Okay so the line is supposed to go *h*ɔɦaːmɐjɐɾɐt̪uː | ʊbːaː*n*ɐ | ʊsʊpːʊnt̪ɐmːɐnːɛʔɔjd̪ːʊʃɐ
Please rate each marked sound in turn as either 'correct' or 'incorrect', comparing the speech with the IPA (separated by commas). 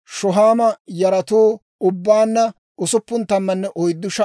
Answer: incorrect, incorrect